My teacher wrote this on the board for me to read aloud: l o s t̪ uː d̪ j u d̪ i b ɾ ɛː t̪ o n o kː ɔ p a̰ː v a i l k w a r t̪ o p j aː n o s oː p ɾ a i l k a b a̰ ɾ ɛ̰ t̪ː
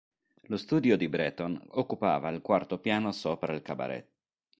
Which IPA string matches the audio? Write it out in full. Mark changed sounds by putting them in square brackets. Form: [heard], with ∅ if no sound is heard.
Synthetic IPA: l o s t̪ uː d̪ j [o] d̪ i b ɾ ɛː t̪ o n o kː [u] p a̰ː v a i l k w a r t̪ o p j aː n o s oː p ɾ a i l k a b a̰ ɾ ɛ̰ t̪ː